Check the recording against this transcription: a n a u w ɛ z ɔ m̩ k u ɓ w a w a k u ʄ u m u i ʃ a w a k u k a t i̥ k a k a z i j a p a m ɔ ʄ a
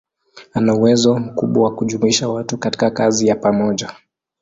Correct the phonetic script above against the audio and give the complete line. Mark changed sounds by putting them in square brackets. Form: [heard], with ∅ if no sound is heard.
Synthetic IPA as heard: a n a u w ɛ z ɔ m̩ k u ɓ w a w a k u ʄ u m u i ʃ a w a [t] u k a t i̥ k a k a z i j a p a m ɔ ʄ a